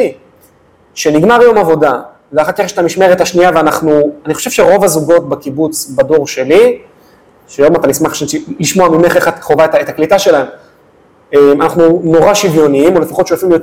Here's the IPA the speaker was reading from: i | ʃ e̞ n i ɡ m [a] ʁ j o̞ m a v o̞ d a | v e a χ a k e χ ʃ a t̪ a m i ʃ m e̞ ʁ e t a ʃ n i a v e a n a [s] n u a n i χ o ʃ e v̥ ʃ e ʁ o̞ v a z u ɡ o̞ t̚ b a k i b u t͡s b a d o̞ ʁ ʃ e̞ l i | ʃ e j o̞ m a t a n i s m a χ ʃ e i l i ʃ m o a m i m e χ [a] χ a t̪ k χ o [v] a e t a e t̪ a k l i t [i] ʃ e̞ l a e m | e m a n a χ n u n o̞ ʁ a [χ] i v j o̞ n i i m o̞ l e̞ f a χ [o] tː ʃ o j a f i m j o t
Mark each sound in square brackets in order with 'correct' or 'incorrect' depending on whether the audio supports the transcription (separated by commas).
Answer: correct, incorrect, incorrect, correct, incorrect, incorrect, correct